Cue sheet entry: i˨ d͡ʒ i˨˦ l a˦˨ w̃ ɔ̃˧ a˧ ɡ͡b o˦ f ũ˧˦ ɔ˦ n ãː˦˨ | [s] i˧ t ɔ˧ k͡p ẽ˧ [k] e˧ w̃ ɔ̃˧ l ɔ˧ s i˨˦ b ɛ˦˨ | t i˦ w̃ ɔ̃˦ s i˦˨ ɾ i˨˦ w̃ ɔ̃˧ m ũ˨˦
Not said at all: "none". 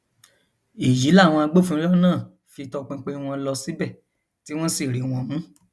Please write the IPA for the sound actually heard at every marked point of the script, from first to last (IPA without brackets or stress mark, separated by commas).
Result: f, k͡p